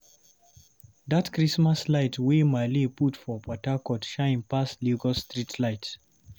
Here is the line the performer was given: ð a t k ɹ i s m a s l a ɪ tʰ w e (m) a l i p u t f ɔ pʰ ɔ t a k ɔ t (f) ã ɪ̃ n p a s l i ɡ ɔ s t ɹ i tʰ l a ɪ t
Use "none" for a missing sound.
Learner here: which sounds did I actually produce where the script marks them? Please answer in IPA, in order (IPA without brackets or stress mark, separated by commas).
m, ʃ